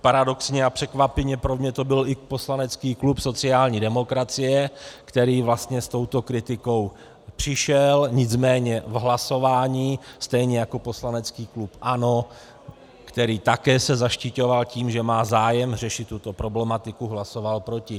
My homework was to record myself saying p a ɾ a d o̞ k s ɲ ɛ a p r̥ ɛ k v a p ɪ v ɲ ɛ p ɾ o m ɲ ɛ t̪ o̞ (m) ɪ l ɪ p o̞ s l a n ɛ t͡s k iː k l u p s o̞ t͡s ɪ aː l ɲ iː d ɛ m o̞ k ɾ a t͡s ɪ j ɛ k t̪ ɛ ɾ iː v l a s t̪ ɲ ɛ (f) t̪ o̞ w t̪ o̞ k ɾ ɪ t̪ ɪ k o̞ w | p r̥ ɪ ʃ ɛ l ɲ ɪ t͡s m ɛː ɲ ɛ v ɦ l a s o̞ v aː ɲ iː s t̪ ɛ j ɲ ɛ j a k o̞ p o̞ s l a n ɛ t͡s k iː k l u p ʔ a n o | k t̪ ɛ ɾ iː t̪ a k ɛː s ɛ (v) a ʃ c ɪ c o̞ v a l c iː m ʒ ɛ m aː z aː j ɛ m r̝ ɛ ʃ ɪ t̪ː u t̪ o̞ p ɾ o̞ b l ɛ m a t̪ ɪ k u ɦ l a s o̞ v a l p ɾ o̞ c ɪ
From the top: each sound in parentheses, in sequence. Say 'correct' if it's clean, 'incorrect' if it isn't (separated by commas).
incorrect, incorrect, incorrect